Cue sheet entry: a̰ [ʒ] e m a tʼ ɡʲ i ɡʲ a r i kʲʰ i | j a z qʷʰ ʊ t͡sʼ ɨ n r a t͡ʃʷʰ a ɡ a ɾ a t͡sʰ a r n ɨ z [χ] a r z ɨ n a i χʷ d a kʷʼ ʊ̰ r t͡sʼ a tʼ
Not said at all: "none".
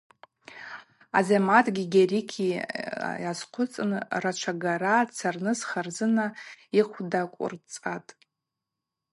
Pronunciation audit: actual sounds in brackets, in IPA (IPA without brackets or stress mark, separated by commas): z, χ